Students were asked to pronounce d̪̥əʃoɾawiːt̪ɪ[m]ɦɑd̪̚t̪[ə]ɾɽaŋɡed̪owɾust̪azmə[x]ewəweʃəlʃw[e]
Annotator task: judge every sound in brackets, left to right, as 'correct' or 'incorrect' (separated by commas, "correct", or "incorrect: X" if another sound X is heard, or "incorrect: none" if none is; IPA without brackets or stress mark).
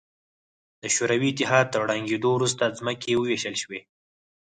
incorrect: none, correct, incorrect: k, correct